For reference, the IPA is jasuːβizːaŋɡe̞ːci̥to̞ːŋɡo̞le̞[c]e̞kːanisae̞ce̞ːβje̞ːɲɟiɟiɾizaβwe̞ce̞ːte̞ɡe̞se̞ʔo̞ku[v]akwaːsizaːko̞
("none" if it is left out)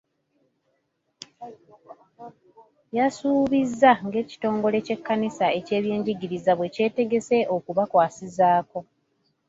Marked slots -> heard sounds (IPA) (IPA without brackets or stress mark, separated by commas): c, β